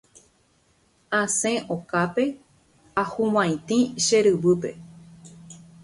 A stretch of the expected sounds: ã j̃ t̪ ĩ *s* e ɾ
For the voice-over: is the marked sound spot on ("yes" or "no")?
no